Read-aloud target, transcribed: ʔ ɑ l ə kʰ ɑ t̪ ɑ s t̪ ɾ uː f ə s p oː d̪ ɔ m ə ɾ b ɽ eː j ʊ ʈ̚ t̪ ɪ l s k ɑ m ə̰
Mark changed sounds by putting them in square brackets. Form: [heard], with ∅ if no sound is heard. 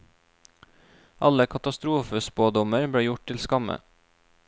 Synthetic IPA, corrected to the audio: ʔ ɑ l ə kʰ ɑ t̪ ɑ s t̪ ɾ uː f ə s p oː d̪ ɔ m ə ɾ b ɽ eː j ʊ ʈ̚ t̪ ɪ l s k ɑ m ə̰